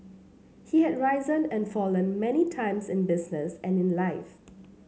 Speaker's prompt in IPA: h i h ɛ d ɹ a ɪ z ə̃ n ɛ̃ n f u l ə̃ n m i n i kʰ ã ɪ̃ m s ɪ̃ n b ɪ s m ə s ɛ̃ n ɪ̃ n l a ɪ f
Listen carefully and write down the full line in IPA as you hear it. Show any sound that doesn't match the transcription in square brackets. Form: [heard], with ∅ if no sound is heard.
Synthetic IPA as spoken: h i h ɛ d ɹ a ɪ z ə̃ n ɛ̃ n f [ɔ] l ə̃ n m [ɛ] n i [tʰ] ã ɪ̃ m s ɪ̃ n b ɪ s [n] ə s ɛ̃ n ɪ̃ n l a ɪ f